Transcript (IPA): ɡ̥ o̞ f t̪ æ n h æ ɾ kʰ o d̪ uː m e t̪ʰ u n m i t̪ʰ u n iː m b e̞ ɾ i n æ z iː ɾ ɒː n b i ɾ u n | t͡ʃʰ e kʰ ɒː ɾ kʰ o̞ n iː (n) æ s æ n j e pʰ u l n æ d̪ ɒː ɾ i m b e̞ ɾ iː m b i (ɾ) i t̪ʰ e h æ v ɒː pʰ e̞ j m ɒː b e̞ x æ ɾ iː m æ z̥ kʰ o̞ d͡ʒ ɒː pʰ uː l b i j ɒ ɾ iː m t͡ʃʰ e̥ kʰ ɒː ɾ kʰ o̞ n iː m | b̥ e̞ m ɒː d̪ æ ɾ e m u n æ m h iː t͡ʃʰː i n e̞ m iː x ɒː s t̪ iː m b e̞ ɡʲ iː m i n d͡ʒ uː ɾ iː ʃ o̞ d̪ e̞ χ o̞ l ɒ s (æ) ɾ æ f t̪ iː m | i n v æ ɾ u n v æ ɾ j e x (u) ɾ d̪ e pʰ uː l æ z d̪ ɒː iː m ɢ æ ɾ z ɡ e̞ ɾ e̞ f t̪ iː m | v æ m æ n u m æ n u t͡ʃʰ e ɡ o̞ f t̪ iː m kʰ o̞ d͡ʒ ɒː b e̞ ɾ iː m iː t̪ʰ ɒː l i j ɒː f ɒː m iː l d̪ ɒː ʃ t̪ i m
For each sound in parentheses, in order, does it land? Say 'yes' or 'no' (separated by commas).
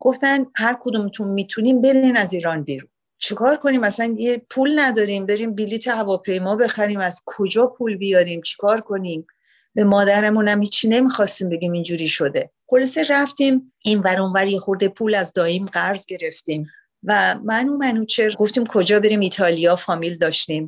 no, no, no, no